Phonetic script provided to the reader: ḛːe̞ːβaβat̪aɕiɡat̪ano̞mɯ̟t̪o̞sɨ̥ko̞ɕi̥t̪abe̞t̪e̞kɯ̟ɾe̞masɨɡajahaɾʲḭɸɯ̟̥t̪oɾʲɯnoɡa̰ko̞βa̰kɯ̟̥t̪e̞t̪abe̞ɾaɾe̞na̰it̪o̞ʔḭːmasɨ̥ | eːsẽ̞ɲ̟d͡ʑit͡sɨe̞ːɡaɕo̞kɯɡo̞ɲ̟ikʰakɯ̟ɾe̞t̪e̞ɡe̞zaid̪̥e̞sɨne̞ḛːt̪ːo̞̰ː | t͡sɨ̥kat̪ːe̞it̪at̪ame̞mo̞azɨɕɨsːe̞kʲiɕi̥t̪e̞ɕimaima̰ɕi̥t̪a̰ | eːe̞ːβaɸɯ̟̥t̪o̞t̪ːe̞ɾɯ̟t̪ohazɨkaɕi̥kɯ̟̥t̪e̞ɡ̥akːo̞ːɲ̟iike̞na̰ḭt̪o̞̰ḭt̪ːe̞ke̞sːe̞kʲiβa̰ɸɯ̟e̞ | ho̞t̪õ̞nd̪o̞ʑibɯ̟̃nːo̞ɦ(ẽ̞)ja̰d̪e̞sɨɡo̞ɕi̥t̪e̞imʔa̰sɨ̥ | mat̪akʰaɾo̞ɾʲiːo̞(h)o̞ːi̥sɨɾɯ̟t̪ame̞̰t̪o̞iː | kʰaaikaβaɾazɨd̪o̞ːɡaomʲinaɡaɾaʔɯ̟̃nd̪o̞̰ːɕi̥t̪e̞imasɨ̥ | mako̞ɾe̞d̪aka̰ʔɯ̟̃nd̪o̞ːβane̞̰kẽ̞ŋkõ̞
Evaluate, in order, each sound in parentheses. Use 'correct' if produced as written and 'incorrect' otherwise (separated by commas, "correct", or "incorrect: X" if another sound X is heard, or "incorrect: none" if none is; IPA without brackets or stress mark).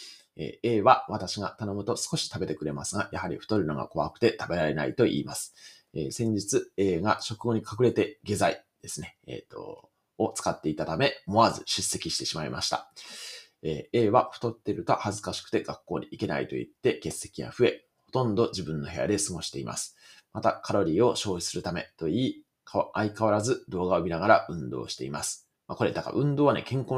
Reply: incorrect: e̞, incorrect: ɕ